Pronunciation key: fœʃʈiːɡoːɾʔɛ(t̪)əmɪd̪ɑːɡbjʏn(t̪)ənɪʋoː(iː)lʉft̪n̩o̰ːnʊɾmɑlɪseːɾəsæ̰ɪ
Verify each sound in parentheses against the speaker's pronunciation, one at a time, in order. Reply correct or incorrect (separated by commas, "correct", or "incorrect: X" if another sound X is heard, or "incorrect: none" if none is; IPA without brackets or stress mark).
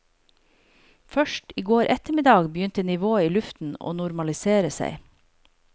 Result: correct, correct, correct